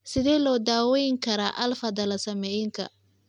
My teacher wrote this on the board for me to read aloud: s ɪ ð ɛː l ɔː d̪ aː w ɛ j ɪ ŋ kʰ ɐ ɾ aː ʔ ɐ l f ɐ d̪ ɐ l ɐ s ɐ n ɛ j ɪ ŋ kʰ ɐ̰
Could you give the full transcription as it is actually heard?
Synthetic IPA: s ɪ ð ɛː l ɔː d̪ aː w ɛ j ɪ ŋ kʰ ɐ ɾ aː ʔ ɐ l f ɐ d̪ ɐ l ɐ s ɐ m ɛ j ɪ ŋ kʰ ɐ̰